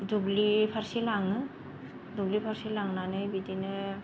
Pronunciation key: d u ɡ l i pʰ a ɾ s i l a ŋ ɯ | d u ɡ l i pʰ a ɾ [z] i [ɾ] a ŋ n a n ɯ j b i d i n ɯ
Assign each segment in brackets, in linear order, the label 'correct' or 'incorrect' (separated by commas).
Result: incorrect, incorrect